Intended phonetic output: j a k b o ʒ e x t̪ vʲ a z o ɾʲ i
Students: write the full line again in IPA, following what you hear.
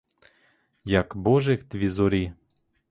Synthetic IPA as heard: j a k b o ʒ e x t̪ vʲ i z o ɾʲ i

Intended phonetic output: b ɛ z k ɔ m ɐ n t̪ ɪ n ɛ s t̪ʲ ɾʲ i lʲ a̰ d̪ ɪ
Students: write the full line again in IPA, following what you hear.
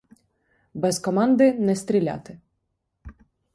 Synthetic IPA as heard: b ɛ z k ɔ m ɑ n d̪ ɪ n ɛ s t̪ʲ ɾʲ i lʲ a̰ t̪ ɪ

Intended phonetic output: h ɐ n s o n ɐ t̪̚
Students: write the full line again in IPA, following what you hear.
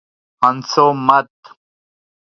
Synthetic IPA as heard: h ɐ n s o m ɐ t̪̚

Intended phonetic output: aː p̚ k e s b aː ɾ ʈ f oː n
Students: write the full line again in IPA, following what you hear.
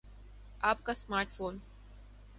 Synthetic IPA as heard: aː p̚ k a s m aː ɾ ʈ f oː n

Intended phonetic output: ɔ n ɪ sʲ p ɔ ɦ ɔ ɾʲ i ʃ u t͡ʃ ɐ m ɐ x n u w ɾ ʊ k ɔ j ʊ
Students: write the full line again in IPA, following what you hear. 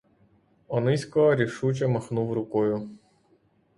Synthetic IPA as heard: ɔ n ɪ sʲ k ɔ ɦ ɔ ɾʲ i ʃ u t͡ʃ ɐ m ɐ x n u w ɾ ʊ k ɔ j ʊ

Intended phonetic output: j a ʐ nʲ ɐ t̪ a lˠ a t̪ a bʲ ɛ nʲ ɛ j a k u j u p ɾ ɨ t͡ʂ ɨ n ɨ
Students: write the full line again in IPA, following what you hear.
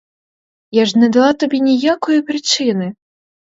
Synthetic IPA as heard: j a ʐ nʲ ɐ d̪ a lˠ a t̪ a bʲ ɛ nʲ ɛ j a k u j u p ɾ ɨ t͡ʂ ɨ n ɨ

